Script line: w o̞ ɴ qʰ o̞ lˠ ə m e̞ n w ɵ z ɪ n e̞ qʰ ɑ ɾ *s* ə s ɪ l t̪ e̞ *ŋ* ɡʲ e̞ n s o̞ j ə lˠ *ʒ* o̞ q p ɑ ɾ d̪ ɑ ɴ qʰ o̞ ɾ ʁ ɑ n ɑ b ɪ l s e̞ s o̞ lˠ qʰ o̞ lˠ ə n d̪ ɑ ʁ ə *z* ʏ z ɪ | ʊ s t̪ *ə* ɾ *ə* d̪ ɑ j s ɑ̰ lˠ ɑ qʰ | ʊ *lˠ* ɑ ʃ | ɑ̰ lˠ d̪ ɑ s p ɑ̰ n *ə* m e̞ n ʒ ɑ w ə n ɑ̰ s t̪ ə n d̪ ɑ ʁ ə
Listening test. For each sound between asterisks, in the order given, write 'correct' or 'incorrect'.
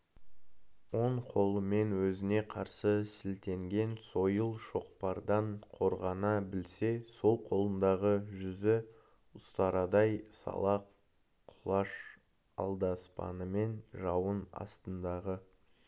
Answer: correct, correct, incorrect, incorrect, incorrect, incorrect, correct, correct

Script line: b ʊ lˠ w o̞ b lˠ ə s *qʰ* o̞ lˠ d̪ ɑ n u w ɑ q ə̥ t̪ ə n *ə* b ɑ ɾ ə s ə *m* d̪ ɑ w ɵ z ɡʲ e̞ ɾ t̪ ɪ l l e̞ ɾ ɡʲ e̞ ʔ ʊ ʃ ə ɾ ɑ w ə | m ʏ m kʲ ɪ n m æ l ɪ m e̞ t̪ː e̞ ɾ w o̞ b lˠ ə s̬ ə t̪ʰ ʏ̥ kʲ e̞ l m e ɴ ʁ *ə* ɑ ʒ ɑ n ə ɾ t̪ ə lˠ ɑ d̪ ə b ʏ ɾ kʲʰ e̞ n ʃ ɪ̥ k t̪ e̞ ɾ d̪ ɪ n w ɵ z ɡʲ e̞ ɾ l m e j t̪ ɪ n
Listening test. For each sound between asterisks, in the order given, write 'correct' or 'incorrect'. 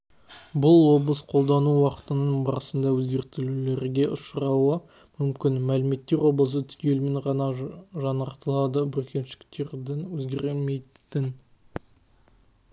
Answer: correct, correct, incorrect, incorrect

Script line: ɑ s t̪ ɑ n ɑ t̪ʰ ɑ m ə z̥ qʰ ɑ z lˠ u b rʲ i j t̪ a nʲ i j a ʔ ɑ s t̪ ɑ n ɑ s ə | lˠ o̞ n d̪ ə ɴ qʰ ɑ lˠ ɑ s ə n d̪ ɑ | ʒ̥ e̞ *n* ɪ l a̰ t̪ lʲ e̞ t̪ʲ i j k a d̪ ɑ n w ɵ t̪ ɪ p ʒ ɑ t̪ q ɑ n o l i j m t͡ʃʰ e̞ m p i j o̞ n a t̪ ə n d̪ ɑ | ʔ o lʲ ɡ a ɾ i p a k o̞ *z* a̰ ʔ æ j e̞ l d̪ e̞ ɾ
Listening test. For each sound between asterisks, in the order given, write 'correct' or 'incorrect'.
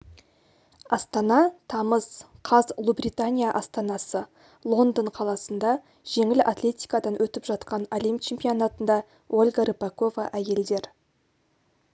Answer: incorrect, incorrect

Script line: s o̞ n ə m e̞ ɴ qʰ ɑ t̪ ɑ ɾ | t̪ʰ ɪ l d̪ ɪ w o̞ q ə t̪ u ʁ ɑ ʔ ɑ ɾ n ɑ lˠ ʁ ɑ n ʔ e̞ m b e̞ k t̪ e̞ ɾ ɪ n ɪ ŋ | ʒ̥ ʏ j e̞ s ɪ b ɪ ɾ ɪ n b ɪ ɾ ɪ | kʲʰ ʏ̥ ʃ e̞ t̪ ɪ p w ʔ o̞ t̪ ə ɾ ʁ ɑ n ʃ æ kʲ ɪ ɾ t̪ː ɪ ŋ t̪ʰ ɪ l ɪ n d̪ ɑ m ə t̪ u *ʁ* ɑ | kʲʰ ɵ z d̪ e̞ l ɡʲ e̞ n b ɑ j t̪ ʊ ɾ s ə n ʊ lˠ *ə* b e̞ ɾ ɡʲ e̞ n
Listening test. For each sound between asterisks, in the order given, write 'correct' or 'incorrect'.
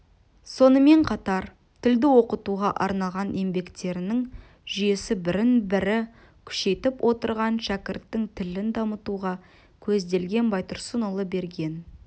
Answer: correct, correct

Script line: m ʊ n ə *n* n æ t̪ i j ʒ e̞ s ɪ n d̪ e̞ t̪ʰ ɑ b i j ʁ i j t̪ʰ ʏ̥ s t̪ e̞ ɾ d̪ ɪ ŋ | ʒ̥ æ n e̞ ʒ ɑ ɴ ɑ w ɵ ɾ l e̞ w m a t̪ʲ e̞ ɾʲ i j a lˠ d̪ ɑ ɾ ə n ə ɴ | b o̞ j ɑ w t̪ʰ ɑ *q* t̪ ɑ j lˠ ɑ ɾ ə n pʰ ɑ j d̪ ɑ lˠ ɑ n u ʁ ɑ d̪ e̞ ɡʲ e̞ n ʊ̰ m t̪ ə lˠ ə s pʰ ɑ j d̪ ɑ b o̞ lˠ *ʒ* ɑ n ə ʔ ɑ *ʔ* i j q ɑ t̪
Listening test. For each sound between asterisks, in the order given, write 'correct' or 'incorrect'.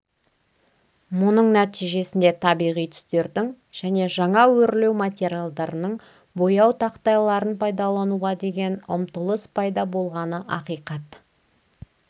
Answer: incorrect, correct, incorrect, incorrect

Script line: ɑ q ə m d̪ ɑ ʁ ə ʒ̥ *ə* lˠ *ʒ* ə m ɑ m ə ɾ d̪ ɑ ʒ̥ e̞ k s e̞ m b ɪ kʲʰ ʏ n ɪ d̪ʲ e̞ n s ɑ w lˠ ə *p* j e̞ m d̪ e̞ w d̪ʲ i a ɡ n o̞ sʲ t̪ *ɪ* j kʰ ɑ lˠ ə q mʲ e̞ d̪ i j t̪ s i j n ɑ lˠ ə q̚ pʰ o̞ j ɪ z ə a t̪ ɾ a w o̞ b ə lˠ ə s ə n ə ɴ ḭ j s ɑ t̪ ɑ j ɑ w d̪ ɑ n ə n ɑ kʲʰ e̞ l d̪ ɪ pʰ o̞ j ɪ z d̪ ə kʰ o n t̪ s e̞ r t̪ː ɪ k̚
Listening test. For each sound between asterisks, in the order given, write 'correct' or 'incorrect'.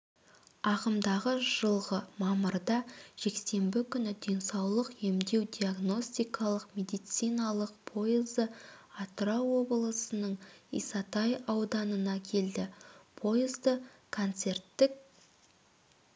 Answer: correct, incorrect, incorrect, incorrect

